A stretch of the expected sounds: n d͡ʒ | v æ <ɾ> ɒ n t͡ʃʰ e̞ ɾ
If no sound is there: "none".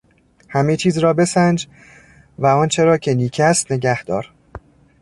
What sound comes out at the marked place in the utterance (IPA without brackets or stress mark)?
none